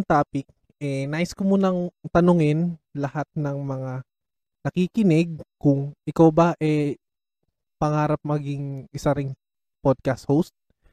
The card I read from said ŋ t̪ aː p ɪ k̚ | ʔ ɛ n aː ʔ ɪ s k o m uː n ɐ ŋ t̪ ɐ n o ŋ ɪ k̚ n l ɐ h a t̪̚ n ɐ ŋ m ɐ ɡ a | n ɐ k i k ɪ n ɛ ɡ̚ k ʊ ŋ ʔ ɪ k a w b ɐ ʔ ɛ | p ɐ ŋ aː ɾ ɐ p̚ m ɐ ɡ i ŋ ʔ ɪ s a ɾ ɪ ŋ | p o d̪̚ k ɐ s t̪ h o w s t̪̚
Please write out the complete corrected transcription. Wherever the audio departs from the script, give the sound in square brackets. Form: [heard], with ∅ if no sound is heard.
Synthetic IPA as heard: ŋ t̪ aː p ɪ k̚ | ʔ ɛ n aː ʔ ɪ s k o m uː n ɐ ŋ t̪ ɐ n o ŋ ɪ [∅] n l ɐ h a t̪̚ n ɐ ŋ m ɐ [ŋ] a | n ɐ k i k ɪ n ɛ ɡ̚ k ʊ ŋ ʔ ɪ k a w b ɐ ʔ ɛ | p ɐ ŋ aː ɾ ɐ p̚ m ɐ ɡ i ŋ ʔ ɪ s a ɾ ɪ ŋ | p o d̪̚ k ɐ s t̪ h o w s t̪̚